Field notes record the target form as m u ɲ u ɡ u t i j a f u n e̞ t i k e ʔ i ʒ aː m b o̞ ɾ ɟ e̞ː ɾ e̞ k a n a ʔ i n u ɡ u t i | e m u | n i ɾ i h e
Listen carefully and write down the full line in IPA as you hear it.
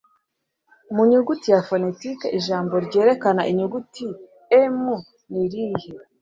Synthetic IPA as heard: m u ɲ u ɡ u t i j a f o n e̞ t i k e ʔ i ʒ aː m b o̞ ɾ ɟ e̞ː ɾ e̞ k a n a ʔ i ɲ u ɡ u t i | e m u | n i ɾ i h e